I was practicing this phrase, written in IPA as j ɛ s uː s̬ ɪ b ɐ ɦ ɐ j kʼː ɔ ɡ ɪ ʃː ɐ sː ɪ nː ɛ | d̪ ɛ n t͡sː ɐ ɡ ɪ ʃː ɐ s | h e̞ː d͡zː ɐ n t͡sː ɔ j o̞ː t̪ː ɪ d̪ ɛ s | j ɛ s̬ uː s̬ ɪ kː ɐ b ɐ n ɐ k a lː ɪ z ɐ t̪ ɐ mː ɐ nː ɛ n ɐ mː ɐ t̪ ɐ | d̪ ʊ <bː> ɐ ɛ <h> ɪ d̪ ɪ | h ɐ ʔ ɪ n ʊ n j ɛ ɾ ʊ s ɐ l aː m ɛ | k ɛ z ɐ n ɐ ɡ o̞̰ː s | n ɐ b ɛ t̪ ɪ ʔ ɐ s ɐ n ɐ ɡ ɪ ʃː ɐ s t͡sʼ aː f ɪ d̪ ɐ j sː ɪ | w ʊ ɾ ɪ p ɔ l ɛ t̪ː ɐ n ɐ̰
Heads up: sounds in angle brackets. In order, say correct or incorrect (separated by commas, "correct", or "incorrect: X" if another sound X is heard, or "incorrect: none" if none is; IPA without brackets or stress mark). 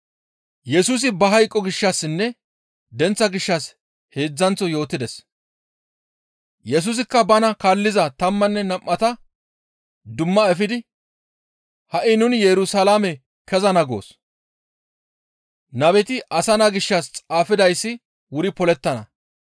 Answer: incorrect: mː, incorrect: f